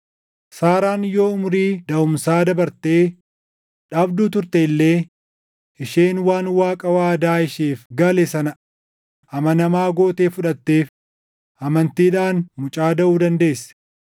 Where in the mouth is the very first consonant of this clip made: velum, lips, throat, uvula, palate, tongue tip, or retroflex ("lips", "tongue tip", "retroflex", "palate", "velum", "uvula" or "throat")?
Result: tongue tip